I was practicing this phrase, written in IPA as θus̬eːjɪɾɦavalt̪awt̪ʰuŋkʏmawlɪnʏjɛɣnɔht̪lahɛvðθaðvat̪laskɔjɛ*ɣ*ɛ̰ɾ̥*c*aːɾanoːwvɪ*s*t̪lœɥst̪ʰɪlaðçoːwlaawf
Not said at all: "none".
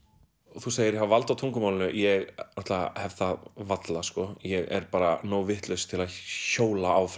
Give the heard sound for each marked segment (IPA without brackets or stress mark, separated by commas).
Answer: ɣ, p, h